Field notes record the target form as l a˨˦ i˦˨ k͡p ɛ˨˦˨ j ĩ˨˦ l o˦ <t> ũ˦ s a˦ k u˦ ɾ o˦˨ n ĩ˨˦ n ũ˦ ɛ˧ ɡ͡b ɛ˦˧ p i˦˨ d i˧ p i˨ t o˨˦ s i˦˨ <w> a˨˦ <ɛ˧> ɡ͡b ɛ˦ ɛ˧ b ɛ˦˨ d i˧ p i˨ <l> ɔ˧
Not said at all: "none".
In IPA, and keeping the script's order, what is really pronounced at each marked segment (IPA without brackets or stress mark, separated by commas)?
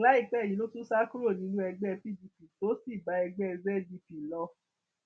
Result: t, b, ɛ˧, l